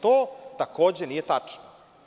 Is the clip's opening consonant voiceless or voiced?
voiceless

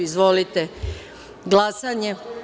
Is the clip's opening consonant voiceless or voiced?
voiced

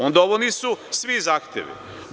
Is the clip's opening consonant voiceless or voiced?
voiced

